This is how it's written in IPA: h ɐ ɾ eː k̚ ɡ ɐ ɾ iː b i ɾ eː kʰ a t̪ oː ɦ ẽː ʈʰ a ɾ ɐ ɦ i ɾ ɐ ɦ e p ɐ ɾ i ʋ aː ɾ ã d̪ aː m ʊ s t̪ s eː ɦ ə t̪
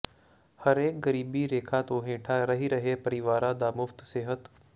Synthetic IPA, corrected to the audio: h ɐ ɾ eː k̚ ɡ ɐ ɾ iː b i ɾ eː kʰ a t̪ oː ɦ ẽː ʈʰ a ɾ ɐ ɦ i ɾ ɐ ɦ e p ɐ ɾ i ʋ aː ɾ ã d̪ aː m ʊ f t̪ s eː ɦ ə t̪